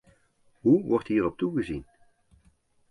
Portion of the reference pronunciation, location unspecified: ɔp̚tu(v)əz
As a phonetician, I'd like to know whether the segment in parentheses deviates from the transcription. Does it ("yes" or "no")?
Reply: yes